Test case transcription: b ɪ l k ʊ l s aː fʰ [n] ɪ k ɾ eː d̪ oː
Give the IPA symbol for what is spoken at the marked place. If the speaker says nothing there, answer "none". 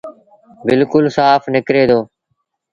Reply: n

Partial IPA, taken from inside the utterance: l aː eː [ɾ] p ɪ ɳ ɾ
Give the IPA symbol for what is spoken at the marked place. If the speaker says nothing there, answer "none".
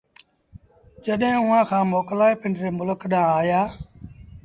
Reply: none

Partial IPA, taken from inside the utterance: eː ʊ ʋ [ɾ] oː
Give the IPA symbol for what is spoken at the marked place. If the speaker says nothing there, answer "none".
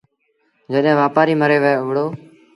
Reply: ɽ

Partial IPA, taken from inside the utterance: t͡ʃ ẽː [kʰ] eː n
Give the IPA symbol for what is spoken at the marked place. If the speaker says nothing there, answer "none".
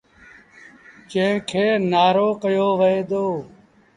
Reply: kʰ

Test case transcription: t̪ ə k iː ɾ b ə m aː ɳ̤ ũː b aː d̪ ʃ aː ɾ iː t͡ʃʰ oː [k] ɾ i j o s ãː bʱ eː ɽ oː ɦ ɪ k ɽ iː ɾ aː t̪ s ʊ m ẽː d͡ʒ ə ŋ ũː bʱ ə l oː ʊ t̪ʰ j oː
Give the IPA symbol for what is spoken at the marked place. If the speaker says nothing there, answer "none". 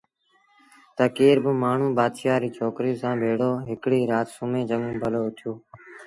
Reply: k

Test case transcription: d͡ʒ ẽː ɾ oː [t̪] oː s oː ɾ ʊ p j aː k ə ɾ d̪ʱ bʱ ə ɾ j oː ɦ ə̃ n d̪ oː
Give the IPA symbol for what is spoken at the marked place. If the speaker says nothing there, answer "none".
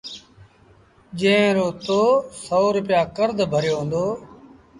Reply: t̪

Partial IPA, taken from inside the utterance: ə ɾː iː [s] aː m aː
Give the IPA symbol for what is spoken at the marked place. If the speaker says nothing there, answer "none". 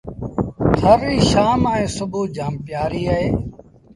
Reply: ʃ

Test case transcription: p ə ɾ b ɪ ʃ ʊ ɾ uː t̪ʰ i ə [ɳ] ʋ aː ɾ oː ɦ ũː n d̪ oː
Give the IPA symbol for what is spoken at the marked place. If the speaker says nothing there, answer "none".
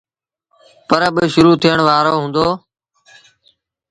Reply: ɳ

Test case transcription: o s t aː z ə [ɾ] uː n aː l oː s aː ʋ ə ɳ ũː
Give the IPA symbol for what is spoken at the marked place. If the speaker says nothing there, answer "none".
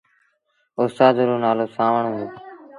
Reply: ɾ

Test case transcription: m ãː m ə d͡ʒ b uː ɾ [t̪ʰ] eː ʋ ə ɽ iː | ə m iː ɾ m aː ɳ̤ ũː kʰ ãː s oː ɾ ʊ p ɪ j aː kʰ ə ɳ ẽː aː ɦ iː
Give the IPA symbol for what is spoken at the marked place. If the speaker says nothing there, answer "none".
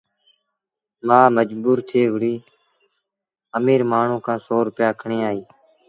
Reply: t̪ʰ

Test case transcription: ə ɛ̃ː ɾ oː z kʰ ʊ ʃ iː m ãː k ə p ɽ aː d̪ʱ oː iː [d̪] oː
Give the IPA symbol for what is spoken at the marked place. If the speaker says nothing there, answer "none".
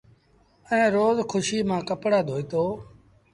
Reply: t̪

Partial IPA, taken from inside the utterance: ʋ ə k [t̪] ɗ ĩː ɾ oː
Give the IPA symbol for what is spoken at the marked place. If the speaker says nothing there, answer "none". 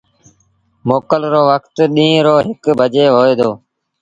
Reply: t̪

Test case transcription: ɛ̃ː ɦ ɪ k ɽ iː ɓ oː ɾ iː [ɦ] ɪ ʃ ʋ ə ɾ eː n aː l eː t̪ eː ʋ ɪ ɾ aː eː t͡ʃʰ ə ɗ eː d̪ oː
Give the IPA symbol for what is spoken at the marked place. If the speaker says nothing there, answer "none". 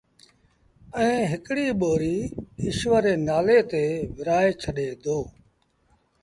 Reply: none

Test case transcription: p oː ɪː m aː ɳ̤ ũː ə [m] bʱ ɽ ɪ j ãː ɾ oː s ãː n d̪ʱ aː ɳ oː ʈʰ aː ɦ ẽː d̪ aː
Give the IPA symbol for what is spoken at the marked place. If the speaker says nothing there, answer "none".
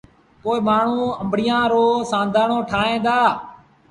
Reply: m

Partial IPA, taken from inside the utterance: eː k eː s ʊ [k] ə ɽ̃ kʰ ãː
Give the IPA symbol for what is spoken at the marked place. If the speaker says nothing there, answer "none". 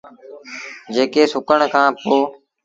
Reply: k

